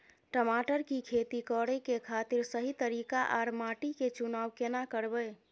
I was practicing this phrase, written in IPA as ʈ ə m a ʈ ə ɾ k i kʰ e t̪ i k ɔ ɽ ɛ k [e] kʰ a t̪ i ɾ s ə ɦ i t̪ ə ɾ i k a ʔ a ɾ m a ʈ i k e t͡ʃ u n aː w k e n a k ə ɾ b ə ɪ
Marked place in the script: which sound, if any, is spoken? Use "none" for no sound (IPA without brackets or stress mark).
e